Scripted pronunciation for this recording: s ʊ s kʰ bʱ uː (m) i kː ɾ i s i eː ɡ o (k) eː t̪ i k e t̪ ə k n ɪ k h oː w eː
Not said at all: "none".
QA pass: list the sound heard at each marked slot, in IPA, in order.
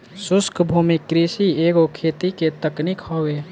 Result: m, kʰ

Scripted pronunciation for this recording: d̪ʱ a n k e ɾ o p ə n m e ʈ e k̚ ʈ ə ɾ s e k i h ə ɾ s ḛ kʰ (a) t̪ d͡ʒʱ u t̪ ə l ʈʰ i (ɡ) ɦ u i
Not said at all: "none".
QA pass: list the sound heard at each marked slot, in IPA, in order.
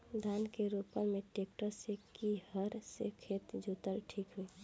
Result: e, k

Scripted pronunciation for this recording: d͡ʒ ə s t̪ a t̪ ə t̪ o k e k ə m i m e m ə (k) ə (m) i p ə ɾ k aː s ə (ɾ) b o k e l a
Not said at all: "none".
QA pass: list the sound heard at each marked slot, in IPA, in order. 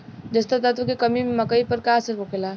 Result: k, none, ɾ

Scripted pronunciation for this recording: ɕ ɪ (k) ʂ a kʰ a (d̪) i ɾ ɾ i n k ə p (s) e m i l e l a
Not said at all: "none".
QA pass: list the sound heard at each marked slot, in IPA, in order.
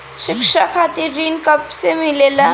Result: k, t̪, s

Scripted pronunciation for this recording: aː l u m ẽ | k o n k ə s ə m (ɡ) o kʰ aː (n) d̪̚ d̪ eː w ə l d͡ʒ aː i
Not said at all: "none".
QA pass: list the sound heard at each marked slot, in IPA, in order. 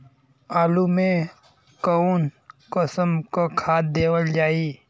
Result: k, none

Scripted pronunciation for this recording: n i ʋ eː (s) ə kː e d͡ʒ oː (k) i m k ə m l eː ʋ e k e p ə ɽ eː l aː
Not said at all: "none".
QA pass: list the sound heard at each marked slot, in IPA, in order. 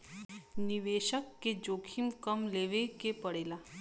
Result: ʃ, kʰ

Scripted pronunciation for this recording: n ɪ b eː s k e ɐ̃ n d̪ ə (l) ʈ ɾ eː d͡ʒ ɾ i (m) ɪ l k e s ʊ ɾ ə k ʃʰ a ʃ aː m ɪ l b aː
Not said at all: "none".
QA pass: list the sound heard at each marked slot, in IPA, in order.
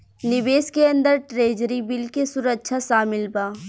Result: ɾ, b

